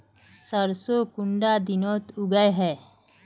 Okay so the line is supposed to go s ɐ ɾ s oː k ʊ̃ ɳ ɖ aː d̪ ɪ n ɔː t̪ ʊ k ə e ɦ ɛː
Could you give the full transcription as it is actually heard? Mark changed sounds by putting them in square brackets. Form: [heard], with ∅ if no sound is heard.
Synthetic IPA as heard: s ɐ ɾ s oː k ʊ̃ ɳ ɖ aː d̪ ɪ n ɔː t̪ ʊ [ɡ] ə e ɦ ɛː